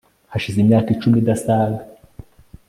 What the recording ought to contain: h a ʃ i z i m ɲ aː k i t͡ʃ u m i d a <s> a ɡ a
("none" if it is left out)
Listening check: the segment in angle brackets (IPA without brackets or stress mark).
s